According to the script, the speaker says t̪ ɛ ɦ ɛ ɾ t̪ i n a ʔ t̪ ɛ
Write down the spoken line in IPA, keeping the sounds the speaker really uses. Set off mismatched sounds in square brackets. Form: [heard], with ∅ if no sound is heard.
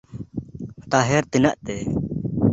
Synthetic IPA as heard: t̪ [a] ɦ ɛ ɾ t̪ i n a ʔ t̪ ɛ